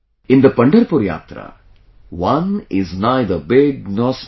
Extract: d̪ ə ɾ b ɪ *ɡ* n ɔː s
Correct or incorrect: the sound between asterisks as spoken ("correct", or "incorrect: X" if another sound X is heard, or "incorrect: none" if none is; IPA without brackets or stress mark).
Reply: correct